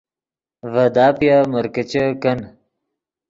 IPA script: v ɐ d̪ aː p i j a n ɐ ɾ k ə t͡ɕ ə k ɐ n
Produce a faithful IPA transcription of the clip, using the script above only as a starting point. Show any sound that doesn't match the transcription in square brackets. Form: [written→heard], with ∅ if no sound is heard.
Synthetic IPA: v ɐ d̪ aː p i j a [n→m] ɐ ɾ k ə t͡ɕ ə k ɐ n